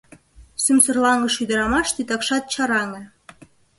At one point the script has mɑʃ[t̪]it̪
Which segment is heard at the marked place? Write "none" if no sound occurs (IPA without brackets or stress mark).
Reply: t̪